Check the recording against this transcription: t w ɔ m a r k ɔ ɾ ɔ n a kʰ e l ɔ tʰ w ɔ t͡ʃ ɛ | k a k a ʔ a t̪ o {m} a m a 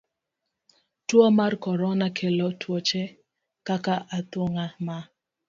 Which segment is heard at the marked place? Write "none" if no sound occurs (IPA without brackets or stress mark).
ŋ